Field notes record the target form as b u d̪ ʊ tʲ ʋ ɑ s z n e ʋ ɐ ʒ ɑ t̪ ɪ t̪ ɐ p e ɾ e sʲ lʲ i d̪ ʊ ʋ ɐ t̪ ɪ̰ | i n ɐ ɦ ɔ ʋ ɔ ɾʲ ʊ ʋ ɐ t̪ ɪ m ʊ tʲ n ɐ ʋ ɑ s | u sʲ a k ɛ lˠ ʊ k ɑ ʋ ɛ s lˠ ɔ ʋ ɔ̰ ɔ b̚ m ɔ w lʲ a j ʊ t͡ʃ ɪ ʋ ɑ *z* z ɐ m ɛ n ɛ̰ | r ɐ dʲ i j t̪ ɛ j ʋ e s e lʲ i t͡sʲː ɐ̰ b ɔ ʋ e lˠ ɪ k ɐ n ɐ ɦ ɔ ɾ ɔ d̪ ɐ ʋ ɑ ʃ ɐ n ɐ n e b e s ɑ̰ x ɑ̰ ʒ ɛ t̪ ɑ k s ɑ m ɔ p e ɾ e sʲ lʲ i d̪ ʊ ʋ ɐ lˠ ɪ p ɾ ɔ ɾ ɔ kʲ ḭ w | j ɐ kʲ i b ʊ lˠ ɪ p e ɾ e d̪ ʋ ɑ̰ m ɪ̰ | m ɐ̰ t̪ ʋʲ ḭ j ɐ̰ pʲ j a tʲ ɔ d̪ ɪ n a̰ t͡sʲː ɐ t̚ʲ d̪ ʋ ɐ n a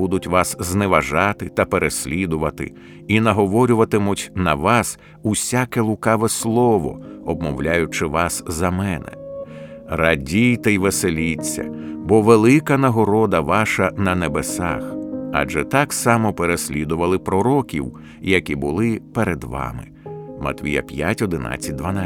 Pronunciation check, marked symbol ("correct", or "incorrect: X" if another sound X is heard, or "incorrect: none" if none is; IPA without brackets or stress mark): incorrect: s